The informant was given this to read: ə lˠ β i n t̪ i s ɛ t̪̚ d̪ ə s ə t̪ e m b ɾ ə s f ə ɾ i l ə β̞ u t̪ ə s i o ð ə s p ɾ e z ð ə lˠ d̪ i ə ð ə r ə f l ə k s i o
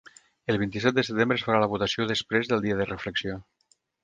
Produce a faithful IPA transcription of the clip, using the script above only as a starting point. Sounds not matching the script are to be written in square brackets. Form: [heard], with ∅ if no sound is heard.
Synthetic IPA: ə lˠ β i n t̪ i s ɛ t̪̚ d̪ ə s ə t̪ e m b ɾ ə s f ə ɾ [a] l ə β̞ u t̪ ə s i o ð ə s p ɾ e z ð ə lˠ d̪ i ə ð ə r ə f l ə k s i o